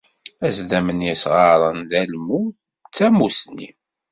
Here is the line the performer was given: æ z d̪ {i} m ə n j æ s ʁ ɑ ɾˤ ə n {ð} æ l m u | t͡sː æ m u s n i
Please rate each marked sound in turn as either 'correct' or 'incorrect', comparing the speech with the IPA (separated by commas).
incorrect, correct